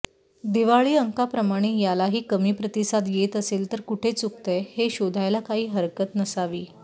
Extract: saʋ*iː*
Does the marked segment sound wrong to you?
no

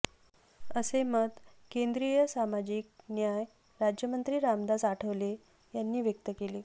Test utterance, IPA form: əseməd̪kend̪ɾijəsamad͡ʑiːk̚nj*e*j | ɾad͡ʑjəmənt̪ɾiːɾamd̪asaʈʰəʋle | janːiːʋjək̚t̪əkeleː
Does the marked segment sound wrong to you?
yes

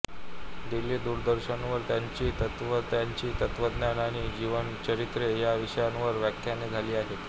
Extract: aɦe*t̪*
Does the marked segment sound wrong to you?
no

